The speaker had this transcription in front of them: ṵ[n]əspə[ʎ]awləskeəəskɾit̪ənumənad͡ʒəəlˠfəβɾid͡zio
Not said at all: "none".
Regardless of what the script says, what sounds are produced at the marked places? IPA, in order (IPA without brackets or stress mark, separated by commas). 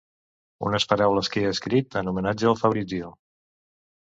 n, ɾ